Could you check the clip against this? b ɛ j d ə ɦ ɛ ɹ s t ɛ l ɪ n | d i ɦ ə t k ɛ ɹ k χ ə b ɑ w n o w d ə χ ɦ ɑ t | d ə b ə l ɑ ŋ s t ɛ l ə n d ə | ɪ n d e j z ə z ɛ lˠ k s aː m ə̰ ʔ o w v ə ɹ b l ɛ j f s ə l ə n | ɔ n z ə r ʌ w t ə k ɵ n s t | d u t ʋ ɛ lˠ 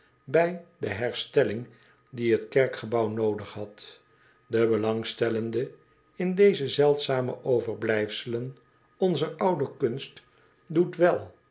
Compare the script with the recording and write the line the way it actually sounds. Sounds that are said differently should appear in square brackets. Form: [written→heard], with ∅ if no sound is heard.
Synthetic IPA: b ɛ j d ə ɦ ɛ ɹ s t ɛ l ɪ [n→ŋ] | d i ɦ ə t k ɛ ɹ k χ ə b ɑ w n o w d ə χ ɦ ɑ t | d ə b ə l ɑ ŋ s t ɛ l ə n d ə | ɪ n d e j z ə z ɛ lˠ [k→t] s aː m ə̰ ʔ o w v ə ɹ b l ɛ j f s ə l ə n | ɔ n z ə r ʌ w [t→d] ə k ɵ n s t | d u t ʋ ɛ lˠ